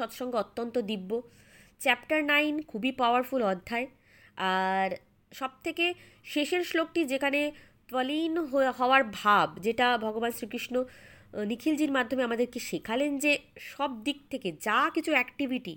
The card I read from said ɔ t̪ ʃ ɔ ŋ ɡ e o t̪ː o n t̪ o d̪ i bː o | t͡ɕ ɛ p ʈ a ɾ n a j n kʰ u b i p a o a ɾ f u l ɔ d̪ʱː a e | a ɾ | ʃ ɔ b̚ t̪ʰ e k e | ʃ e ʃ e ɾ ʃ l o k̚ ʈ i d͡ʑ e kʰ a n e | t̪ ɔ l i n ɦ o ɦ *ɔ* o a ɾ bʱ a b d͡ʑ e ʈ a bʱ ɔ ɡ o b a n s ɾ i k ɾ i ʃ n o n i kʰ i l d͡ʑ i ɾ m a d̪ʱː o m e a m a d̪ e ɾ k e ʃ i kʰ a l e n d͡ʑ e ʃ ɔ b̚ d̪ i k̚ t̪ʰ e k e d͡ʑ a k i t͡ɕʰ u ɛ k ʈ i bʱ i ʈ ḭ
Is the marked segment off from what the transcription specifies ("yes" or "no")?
no